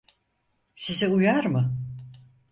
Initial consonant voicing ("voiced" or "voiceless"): voiceless